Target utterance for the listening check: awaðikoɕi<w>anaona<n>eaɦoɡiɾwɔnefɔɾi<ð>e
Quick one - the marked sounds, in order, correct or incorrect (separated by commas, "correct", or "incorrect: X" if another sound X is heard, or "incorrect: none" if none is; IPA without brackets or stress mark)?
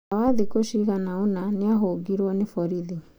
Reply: incorrect: ɣ, correct, correct